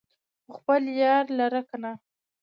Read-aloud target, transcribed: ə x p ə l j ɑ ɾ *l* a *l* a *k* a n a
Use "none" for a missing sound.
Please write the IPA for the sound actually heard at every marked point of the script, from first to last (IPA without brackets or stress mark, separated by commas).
l, ɾ, k